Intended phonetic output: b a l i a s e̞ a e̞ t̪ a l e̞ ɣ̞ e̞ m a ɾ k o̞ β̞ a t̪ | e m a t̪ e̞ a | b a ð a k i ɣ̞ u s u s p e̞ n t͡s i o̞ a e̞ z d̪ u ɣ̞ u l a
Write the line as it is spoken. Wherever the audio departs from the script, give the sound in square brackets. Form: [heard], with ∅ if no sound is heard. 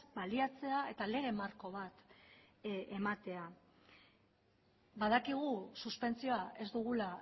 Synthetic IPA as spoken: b a l i a [t͡s] e̞ a e̞ t̪ a l e̞ ɣ̞ e̞ m a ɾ k o̞ β̞ a t̪ | e m a t̪ e̞ a | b a ð a k i ɣ̞ u s u s p e̞ n t͡s i o̞ a e̞ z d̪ u ɣ̞ u l a